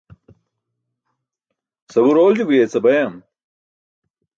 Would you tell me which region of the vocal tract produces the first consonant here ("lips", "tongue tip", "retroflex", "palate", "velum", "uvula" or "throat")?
tongue tip